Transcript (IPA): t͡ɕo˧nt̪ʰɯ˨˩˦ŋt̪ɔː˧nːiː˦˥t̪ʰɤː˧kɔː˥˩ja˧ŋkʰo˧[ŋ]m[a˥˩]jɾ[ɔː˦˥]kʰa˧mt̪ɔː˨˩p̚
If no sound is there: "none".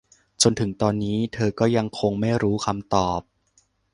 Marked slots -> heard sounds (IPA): ŋ, a˥˩, uː˦˥

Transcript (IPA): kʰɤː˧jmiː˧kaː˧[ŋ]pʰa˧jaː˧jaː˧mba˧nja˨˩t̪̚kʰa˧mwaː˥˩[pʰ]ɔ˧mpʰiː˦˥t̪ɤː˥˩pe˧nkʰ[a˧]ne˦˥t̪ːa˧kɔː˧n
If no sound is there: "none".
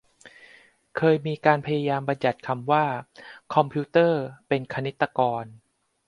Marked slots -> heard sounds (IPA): n, kʰ, a˧

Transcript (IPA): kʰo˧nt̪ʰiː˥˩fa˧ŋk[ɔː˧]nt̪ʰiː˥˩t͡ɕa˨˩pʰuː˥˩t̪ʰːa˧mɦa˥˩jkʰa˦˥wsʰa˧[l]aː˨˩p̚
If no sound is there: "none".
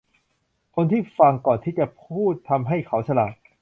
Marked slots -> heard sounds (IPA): ɔː˨˩, l

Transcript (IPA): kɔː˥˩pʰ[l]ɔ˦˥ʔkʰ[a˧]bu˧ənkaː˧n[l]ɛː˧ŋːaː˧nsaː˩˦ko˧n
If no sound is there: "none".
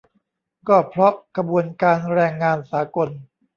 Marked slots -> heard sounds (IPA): ɾ, a˧, ɾ

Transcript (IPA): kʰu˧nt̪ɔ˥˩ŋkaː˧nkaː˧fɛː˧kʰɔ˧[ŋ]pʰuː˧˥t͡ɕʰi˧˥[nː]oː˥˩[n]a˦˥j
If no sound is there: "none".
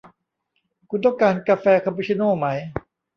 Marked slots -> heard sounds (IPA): m, n, m

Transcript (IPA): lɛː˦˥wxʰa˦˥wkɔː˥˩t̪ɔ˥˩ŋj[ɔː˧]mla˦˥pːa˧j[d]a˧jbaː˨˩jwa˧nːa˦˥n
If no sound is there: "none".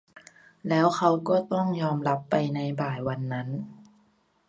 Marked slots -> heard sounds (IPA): ɔː˧, n

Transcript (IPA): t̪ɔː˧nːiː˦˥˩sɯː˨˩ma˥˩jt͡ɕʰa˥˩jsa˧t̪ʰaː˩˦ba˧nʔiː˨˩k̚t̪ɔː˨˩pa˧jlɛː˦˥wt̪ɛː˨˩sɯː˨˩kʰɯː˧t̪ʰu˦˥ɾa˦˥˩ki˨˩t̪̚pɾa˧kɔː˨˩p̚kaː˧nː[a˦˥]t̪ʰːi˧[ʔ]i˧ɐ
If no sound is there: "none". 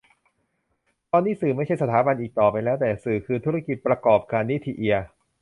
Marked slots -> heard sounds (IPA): i˦˥, ʔ

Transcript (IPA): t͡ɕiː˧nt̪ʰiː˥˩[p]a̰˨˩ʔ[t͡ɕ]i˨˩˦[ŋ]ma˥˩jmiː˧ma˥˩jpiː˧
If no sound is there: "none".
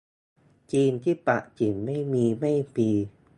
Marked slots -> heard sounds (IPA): p, t͡ɕ, n

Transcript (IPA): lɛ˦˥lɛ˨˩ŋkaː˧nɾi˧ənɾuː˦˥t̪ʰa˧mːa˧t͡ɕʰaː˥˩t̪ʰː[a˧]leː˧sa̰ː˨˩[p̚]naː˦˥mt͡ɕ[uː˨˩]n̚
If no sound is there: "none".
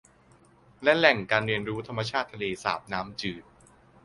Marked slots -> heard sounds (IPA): a˧, p̚, ɯː˨˩

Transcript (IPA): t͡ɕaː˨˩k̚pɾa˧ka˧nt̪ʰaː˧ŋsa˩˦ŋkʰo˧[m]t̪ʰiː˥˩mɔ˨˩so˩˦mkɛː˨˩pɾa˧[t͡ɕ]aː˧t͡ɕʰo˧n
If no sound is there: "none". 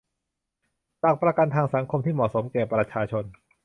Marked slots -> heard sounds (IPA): m, t͡ɕʰ

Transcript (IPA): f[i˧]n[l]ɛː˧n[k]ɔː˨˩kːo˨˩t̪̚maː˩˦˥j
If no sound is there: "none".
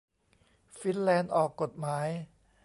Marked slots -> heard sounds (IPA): i˦˥, l, ʔ

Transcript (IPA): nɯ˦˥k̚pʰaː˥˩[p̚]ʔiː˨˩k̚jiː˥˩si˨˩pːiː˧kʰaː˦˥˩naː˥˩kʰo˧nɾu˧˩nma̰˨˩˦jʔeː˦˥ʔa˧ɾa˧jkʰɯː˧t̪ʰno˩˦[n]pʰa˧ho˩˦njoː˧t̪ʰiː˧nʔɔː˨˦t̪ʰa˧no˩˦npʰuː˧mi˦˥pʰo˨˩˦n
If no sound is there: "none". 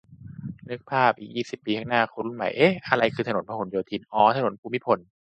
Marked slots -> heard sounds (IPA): p̚, n

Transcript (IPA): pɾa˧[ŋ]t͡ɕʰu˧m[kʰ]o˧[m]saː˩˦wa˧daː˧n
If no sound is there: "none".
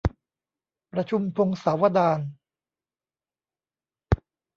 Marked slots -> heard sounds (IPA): none, pʰ, ŋ

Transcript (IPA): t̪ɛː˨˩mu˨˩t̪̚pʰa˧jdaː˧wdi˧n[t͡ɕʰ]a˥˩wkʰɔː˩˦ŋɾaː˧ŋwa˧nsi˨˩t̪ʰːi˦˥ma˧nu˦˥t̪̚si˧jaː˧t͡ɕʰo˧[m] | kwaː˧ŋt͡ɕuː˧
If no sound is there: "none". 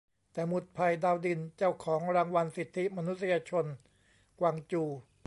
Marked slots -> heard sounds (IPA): t͡ɕ, n

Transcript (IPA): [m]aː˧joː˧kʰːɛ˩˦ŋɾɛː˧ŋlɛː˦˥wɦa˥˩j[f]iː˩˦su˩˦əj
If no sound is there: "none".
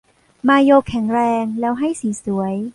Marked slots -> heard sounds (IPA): m, s

